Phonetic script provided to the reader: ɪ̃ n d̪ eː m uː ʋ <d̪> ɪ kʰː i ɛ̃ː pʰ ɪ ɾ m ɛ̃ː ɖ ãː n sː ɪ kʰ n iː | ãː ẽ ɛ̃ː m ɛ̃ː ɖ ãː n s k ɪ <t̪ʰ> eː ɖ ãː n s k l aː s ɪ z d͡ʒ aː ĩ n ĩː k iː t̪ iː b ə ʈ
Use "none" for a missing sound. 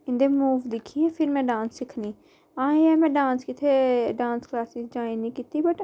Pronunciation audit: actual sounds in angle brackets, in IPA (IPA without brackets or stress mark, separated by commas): d̪, t̪ʰ